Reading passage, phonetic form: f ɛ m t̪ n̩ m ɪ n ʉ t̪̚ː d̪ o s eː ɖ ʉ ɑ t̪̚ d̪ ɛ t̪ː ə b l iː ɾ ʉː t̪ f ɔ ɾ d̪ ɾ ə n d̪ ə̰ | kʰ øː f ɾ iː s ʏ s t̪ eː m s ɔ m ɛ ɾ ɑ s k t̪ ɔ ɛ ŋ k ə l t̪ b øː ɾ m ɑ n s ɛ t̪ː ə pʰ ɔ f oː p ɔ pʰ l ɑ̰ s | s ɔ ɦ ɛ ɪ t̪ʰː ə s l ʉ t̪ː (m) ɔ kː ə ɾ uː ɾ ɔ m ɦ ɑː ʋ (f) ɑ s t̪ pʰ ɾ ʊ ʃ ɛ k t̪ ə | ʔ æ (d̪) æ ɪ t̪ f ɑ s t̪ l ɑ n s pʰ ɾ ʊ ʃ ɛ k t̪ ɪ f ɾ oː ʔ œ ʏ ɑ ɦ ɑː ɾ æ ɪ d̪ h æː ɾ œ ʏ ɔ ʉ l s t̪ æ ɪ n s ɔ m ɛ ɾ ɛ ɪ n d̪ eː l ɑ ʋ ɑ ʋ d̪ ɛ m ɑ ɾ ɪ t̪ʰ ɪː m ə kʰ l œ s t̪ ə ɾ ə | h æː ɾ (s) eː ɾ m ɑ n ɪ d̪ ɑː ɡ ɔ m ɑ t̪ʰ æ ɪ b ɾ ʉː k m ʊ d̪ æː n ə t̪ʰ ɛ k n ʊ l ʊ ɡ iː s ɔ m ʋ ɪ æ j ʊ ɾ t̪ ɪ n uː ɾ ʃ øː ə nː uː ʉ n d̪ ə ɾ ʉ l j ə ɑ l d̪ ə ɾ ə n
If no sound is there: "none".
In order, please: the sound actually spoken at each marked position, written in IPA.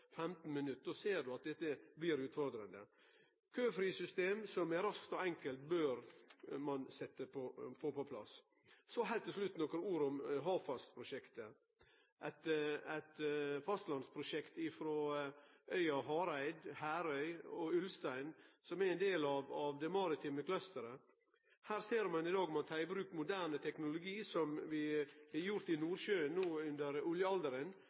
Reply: n, f, t̪, s

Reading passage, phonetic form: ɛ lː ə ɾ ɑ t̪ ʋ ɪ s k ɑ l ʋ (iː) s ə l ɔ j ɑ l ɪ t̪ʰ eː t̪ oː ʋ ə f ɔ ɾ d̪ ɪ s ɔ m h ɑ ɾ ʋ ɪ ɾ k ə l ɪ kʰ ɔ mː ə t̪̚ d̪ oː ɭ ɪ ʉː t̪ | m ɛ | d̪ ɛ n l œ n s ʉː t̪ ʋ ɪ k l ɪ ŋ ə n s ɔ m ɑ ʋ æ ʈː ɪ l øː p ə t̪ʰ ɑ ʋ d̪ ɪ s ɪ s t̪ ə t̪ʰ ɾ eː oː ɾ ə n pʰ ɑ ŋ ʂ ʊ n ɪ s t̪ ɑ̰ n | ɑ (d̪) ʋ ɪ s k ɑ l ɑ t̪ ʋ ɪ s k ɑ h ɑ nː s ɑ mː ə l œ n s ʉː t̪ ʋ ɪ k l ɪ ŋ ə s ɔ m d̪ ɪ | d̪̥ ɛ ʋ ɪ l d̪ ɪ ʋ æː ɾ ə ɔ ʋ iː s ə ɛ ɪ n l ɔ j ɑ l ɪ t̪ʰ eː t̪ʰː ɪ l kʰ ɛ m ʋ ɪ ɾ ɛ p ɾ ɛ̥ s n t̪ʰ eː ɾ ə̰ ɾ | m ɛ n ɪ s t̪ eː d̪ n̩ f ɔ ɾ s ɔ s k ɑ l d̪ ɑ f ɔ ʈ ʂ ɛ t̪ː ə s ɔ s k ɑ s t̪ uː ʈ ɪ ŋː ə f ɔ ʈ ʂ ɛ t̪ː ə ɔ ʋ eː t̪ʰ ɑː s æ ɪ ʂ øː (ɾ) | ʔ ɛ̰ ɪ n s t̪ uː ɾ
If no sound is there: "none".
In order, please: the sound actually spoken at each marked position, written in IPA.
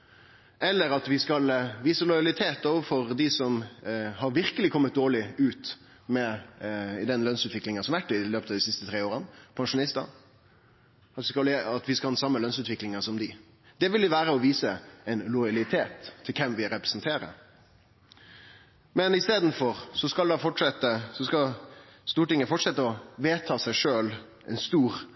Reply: iː, t̪, l

